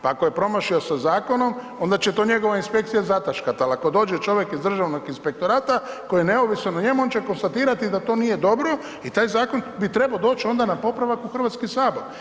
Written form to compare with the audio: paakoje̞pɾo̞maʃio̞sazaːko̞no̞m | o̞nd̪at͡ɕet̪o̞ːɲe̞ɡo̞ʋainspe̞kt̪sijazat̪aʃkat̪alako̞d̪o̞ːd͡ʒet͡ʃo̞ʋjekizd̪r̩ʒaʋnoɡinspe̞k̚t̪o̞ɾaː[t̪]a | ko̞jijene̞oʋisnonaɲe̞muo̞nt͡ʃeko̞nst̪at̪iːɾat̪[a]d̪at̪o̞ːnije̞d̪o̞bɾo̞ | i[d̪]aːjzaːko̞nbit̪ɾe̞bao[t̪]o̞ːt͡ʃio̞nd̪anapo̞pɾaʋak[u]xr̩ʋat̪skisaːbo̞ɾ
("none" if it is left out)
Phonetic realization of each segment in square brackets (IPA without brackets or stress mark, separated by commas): t̪, i, t̪, d̪, u